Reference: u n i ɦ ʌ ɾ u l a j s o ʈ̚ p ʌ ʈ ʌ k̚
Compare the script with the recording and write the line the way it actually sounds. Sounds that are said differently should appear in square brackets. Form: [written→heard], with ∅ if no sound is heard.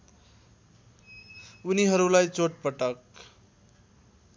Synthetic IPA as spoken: u n i ɦ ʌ ɾ u l a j [s→t͡s] o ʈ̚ p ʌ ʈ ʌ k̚